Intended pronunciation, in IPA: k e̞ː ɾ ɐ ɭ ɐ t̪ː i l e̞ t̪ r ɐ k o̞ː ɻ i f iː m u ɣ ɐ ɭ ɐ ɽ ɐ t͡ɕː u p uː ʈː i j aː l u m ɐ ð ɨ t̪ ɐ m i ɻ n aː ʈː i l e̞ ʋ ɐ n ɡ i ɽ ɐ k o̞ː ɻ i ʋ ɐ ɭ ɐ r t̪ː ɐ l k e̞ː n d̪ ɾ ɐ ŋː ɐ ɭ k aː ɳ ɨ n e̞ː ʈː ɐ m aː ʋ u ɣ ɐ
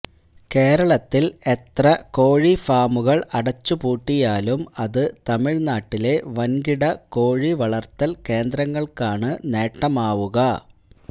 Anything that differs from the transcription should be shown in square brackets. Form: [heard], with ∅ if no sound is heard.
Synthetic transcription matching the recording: k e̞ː ɾ ɐ ɭ ɐ t̪ː i l e̞ t̪ r ɐ k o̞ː ɻ i f [aː] m u ɣ ɐ ɭ ɐ ɽ ɐ t͡ɕː u p uː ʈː i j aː l u m ɐ ð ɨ t̪ ɐ m i ɻ n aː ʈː i l e̞ ʋ ɐ n ɡ i ɽ ɐ k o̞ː ɻ i ʋ ɐ ɭ ɐ r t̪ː ɐ l k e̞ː n d̪ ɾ ɐ ŋː ɐ ɭ k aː ɳ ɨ n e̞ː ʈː ɐ m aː ʋ u ɣ ɐ